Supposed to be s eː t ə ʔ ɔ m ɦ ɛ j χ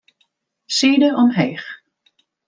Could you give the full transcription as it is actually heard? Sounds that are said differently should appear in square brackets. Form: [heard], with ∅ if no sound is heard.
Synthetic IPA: s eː [d] ə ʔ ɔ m ɦ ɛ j χ